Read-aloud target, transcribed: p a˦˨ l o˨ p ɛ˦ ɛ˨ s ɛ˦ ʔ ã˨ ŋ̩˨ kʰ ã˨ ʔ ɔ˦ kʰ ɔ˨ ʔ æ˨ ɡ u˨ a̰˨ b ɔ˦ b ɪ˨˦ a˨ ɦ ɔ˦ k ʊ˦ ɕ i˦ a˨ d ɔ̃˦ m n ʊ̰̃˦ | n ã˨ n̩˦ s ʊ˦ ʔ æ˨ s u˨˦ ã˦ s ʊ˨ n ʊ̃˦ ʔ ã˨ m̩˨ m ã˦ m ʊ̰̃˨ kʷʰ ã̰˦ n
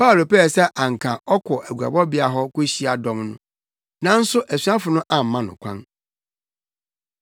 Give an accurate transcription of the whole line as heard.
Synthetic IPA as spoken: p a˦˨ l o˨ p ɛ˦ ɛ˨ s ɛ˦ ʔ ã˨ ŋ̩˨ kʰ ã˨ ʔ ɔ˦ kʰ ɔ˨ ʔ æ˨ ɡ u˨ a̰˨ b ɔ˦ b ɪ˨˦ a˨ ɦ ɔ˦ k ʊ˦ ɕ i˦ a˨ d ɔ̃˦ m n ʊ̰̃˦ | n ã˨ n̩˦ s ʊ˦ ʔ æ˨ s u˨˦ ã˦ f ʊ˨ n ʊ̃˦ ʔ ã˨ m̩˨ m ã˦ n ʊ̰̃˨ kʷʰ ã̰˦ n

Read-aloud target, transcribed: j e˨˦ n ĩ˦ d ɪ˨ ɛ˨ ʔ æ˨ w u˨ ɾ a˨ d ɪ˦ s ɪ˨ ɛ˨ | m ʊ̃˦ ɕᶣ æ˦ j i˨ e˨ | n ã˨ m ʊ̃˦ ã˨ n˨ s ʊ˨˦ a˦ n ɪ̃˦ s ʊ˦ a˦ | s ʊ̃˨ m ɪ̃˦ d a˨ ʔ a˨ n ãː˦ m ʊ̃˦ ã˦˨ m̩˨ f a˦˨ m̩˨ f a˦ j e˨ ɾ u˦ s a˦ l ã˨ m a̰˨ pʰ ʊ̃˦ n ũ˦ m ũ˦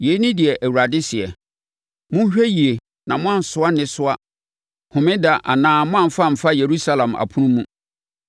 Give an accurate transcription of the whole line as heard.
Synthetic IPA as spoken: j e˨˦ n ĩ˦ d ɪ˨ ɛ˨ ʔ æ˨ w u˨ ɾ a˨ d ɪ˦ s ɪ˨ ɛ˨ | m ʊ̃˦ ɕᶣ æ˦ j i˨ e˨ | n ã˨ m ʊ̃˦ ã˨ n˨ s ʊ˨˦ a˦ n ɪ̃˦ s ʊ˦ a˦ | h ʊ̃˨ m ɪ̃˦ d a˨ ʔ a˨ n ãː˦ m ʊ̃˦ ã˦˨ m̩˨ f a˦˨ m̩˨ f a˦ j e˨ ɾ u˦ s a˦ l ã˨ m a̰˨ pʰ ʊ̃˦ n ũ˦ m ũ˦

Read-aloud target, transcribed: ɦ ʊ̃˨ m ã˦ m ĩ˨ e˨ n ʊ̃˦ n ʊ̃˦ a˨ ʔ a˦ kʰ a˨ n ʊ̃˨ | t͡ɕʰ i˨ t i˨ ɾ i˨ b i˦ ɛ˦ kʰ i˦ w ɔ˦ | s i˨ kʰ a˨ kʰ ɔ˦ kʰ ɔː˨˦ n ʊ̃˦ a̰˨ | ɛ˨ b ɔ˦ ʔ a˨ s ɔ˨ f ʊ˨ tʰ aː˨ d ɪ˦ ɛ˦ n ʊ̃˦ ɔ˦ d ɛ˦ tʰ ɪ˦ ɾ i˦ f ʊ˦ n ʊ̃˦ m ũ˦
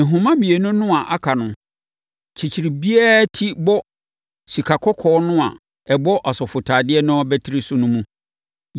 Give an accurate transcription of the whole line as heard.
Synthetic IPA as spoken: ɦ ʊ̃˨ m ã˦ m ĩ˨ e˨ n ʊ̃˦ n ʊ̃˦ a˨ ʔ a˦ kʰ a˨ n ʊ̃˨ | t͡ɕʰ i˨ t͡ɕʰ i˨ ɾ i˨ b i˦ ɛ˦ tʰ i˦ b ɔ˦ | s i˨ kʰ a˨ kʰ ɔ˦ kʰ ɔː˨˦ n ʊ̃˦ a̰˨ | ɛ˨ b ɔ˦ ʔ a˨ s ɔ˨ f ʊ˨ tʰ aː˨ d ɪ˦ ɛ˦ n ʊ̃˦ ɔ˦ b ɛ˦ tʰ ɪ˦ ɾ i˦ s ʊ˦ n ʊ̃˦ m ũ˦

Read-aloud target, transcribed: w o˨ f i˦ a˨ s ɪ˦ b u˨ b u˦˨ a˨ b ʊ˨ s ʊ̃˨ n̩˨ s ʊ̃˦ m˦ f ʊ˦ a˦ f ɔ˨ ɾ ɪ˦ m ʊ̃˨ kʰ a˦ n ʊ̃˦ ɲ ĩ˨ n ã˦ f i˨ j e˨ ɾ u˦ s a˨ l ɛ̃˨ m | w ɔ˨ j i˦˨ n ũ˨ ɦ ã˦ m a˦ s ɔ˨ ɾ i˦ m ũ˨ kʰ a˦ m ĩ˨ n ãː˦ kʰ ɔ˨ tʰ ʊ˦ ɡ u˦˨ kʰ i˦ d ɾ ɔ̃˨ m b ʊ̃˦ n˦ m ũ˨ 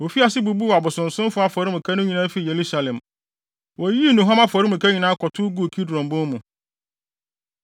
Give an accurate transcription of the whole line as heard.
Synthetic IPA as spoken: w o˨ f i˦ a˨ s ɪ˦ b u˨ b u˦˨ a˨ b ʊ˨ s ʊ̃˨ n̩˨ s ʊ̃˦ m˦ f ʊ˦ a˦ f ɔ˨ ɾ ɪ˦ m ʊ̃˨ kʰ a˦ n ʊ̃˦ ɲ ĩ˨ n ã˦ f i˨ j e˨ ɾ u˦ s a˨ l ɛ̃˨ m | w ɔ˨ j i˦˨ n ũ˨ ɦ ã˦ m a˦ f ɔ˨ ɾ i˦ m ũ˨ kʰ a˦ ɲ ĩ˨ n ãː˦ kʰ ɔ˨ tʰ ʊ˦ ɡ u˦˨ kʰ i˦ d ɾ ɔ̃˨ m b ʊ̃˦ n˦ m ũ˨

